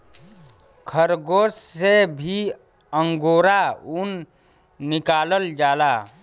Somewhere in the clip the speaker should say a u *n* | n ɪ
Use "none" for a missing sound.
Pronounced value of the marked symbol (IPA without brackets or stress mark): n